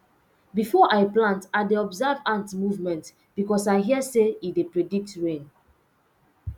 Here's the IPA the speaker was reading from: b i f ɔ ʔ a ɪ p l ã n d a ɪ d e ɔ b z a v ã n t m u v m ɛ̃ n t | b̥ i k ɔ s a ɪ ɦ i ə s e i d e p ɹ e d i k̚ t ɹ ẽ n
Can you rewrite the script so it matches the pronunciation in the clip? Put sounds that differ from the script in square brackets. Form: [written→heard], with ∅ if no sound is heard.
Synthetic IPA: b i f ɔ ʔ a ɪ p l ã n [d→t] a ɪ d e ɔ b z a v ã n t m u v m ɛ̃ n t | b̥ i k ɔ s a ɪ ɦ i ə s e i d e p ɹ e d i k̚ t ɹ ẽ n